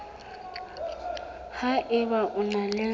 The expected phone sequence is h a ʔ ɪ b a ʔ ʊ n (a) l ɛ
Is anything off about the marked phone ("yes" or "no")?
no